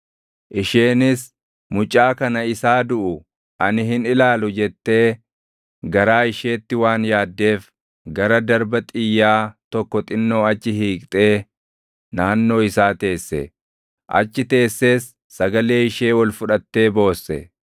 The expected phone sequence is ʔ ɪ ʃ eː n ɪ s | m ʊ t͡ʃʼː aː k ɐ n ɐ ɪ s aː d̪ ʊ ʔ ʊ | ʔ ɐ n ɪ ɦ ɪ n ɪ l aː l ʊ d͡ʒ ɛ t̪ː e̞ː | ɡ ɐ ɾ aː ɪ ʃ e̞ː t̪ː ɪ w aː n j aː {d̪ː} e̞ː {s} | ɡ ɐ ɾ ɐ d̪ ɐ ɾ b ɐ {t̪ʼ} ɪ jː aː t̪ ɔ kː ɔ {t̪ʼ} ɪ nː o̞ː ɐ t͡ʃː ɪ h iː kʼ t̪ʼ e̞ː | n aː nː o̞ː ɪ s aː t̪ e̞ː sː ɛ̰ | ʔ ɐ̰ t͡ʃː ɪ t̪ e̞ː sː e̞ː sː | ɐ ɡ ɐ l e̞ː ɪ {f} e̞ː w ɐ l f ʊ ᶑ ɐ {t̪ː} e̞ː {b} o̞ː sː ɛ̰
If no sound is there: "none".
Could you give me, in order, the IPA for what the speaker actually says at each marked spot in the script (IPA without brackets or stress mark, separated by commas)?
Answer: d̪ː, f, t̪ʼ, t̪ʼ, ʃ, t̪ː, b